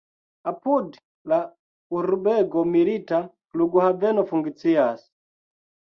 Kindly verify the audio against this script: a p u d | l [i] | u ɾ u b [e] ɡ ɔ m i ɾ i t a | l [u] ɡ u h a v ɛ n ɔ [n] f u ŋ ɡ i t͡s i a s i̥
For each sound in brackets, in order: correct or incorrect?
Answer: incorrect: a, incorrect: ɛ, correct, incorrect: none

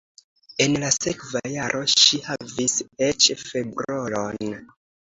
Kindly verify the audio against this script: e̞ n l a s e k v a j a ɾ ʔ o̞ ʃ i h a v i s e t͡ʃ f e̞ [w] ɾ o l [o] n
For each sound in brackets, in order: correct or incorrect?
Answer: incorrect: b, correct

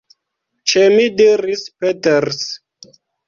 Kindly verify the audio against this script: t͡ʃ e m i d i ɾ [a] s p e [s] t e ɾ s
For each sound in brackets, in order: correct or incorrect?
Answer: incorrect: i, incorrect: none

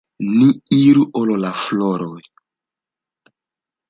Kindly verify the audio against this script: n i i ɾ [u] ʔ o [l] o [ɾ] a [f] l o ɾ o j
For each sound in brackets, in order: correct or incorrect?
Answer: correct, correct, incorrect: l, correct

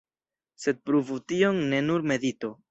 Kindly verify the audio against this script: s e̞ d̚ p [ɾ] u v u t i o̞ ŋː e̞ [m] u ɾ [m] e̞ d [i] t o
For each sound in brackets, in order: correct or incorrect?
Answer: correct, incorrect: n, correct, correct

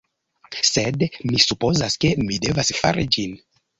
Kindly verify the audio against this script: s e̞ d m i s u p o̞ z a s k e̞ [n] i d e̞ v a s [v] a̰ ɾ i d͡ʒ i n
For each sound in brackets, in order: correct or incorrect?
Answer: incorrect: m, incorrect: f

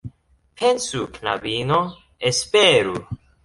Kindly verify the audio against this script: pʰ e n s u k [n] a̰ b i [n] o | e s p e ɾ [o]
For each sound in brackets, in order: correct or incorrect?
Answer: correct, correct, incorrect: u

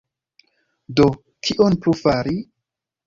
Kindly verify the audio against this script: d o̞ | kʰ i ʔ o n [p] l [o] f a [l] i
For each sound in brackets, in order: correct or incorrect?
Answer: correct, incorrect: u, incorrect: ɾ

